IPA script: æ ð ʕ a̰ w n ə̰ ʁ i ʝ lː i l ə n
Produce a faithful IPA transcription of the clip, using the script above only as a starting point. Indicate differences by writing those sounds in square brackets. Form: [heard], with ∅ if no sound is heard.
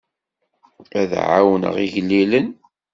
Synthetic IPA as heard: æ ð ʕ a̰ w n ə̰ ʁ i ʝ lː i l ə n